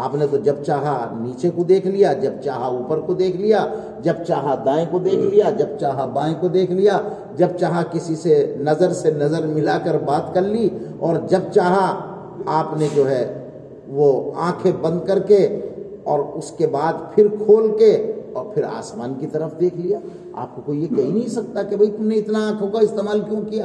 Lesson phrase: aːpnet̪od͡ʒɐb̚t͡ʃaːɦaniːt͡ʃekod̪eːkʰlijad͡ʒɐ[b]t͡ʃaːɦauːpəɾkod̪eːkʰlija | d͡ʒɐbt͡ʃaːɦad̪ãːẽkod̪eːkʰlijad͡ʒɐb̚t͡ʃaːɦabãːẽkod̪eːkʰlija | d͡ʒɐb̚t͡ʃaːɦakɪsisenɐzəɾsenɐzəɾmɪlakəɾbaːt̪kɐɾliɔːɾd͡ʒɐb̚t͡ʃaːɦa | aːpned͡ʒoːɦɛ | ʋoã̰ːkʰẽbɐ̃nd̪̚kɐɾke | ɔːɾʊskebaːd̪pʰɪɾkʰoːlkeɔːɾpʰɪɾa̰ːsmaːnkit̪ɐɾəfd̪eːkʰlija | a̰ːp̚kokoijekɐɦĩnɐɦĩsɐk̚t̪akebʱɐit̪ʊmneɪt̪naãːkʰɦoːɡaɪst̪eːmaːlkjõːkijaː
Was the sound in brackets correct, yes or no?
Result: yes